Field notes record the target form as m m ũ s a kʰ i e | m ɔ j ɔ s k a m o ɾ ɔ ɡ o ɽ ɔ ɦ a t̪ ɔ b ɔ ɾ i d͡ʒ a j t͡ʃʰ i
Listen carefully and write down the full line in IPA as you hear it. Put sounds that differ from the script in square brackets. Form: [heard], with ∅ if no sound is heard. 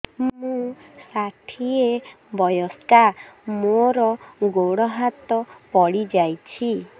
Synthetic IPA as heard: m m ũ s a [ʈʰ] i e | [b] ɔ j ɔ s k a m o ɾ ɔ ɡ o ɽ ɔ ɦ a t̪ ɔ [p] ɔ [ɽ] i d͡ʒ a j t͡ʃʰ i

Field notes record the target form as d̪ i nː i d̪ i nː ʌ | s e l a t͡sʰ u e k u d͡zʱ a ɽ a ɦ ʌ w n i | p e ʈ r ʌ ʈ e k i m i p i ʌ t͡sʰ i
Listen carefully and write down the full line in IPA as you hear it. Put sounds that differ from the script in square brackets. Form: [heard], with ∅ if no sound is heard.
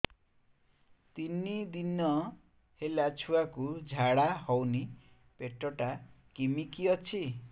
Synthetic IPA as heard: [t̪] i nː i d̪ i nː ʌ | [h] e l a t͡sʰ u [a] k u d͡zʱ a ɽ a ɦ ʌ w n i | p e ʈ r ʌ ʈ [a] k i m i [k] i ʌ t͡sʰ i

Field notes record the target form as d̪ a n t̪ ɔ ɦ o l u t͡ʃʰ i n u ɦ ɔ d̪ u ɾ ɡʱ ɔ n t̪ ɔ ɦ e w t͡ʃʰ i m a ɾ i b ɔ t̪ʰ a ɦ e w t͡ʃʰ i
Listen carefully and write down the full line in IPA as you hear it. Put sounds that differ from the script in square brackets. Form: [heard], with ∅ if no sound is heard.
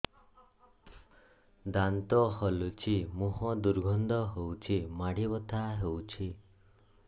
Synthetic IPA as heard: d̪ a n t̪ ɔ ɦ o l u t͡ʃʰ i [m] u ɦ ɔ d̪ u ɾ ɡʱ ɔ n [d̪] ɔ ɦ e w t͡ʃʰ i m a [ɽ] i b ɔ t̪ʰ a ɦ e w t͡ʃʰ i

